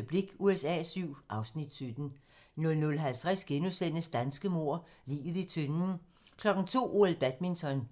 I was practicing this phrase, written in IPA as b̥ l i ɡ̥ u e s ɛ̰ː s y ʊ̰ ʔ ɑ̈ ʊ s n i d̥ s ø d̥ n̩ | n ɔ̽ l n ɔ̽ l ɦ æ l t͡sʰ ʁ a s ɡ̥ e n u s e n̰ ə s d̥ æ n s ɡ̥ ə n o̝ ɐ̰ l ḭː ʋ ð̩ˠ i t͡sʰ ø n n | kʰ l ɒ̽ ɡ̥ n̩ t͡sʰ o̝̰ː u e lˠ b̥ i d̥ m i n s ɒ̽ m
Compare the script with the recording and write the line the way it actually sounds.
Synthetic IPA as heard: b̥ l i ɡ̥ u e s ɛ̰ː s y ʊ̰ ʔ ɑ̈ ʊ s n i d̥ s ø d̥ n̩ | n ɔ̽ l n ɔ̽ l ɦ æ l t͡sʰ ʁ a s ɡ̥ e n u s e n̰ ə s d̥ æ n s ɡ̥ ə m o̝ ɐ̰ l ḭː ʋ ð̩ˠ i t͡sʰ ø n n | kʰ l ɒ̽ ɡ̥ n̩ t͡sʰ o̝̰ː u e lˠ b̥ æ d̥ m i n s ɒ̽ n

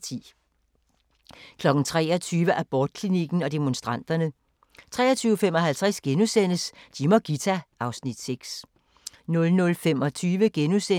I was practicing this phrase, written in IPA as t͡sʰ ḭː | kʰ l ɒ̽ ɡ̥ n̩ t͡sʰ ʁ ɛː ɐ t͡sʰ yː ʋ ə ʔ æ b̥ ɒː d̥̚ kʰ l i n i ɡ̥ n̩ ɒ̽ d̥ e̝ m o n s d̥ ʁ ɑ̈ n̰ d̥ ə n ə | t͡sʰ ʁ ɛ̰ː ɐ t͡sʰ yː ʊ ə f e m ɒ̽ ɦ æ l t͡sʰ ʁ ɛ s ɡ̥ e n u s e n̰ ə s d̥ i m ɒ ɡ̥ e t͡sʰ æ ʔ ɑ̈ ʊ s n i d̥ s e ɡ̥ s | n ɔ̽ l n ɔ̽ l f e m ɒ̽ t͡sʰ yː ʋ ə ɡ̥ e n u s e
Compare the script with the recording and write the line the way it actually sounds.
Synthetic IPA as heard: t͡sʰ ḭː | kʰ l ɒ̽ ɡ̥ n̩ t͡sʰ ʁ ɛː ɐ t͡sʰ yː ʋ ə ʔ æ b̥ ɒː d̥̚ kʰ l i n i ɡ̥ n̩ ɒ̽ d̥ e̝ m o n s d̥ ʁ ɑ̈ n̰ d̥ ɐ n ə | t͡sʰ ʁ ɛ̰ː ɐ t͡sʰ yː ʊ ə f e m ɒ̽ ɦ æ l t͡sʰ ʁ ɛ s ɡ̥ e n u s e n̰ ə s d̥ i m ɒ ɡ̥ i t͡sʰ æ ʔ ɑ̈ ʊ s n i d̥ s e ɡ̥ s | n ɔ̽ l n ɔ̽ l f e m ɒ̽ t͡sʰ yː ʋ ə ɡ̥ e n u s e

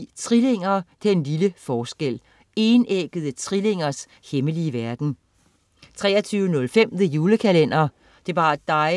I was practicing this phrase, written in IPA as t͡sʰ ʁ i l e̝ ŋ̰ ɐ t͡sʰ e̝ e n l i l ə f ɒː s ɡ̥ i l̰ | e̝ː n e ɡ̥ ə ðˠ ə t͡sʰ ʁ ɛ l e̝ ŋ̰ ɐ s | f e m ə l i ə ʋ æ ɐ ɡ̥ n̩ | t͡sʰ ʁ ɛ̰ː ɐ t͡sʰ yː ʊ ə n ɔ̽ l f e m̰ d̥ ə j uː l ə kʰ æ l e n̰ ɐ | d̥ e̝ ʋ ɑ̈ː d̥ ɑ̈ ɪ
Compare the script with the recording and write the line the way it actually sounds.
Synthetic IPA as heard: t͡sʰ ʁ i l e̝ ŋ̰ ɐ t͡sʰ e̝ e n l i l ə f ɒː s ɡ̥ e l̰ | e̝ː n e ɡ̥ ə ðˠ ə t͡sʰ ʁ i l e̝ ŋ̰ ɐ s | h e m ə l i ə ʋ æ ɐ ɡ̥ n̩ | t͡sʰ ʁ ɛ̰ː ɐ t͡sʰ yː ʊ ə n ɔ̽ l f e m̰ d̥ ə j uː l ə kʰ æ l e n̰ ɐ | d̥ e̝ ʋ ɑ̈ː d̥ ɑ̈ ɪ

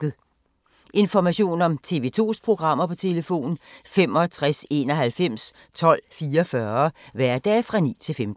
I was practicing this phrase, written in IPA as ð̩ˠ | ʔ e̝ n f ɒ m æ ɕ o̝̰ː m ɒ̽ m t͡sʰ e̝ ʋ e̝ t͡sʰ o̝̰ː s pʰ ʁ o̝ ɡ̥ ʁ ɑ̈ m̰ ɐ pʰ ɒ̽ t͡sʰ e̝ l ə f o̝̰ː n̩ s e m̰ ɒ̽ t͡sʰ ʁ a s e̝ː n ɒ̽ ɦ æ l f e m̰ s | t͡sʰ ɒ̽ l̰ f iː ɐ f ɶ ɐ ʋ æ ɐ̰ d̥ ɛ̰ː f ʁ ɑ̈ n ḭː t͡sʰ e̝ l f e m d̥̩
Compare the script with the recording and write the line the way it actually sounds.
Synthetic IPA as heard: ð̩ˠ | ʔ e̝ n f ɒ m æ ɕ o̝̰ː n ɒ̽ m t͡sʰ e̝ ʋ e̝ t͡sʰ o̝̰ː s pʰ ʁ o̝ ɡ̥ ʁ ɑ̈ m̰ ɐ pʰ ɒ̽ t͡sʰ e̝ l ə f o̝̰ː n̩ f e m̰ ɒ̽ t͡sʰ ʁ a s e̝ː n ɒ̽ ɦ æ l f e m̰ s | t͡sʰ ɒ̽ l̰ f iː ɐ f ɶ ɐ ʋ æ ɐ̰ d̥ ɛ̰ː f ʁ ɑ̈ n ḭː t͡sʰ e̝ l f e m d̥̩

